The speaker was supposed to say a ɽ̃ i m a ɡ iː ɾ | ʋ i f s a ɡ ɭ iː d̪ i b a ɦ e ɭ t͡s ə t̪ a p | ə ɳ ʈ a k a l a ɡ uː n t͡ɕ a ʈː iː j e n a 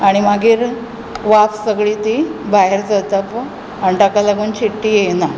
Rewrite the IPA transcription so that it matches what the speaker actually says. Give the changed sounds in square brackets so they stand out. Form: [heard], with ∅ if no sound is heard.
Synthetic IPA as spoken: a ɽ̃ i m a ɡ iː ɾ | ʋ [a] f s [ə] ɡ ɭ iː [t̪] i b a ɦ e [ɾ] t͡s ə t̪ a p | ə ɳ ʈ a k a l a ɡ uː n t͡ɕ [i] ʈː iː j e n a